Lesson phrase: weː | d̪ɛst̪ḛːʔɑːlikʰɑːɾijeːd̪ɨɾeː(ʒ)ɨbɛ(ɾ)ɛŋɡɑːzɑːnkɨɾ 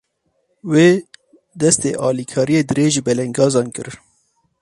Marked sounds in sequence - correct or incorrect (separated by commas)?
correct, incorrect